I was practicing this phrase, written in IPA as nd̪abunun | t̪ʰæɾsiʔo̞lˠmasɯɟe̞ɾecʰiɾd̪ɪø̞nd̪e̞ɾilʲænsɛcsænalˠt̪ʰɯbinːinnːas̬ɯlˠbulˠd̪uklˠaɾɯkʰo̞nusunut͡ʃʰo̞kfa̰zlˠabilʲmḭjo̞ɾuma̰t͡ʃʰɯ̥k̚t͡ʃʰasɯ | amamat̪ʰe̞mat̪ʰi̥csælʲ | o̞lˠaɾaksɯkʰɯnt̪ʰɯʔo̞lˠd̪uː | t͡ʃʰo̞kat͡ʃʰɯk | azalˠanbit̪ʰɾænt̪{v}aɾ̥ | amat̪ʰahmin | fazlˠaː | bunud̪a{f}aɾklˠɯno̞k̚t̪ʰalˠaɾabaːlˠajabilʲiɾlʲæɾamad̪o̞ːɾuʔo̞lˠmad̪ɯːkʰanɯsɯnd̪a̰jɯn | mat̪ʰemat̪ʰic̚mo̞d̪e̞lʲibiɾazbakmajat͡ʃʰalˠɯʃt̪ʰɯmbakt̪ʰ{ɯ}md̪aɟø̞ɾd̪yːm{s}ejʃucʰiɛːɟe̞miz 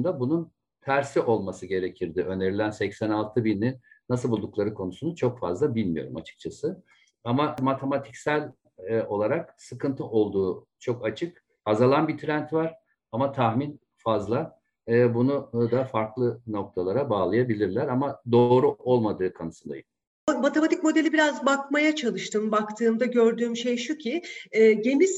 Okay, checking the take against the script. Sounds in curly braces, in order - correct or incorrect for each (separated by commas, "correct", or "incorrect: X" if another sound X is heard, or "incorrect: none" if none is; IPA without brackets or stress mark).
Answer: correct, correct, incorrect: ɯː, incorrect: ʃ